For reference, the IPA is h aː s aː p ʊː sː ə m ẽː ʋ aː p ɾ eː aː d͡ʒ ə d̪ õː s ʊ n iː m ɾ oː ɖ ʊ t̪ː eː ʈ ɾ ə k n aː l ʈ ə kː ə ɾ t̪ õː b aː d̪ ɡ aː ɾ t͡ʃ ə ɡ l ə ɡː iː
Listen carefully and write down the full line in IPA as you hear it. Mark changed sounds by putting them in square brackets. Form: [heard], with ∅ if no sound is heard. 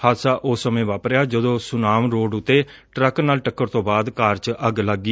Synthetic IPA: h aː s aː [ʔ] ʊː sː ə m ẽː ʋ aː p ɾ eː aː d͡ʒ ə d̪ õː s ʊ n [aː] m ɾ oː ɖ ʊ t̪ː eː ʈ ɾ ə k n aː l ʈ ə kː ə ɾ t̪ õː b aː d̪ [k] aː ɾ t͡ʃ ə ɡ l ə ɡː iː